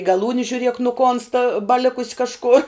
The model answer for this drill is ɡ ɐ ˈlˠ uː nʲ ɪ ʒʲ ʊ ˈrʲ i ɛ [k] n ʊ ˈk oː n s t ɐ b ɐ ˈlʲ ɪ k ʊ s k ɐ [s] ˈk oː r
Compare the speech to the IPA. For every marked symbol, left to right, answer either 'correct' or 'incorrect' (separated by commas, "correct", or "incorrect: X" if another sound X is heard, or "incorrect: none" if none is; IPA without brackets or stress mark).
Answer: correct, incorrect: ʃ